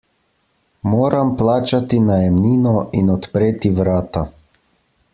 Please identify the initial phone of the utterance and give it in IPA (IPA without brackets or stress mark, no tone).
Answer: m